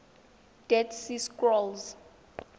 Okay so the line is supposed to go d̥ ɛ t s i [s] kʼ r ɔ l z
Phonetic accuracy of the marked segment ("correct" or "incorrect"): correct